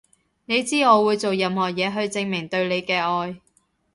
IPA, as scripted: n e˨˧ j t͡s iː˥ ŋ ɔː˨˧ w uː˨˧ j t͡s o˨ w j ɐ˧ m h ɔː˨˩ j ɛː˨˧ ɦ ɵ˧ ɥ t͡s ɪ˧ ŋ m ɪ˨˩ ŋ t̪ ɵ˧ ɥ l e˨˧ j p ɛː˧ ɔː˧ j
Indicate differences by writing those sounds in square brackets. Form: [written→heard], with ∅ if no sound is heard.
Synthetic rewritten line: n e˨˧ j t͡s iː˥ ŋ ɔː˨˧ w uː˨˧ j t͡s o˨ w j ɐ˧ m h ɔː˨˩ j ɛː˨˧ ɦ ɵ˧ ɥ t͡s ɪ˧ ŋ m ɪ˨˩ ŋ t̪ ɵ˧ ɥ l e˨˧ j [p→k] ɛː˧ ɔː˧ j